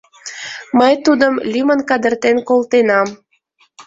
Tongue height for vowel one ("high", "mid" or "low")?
mid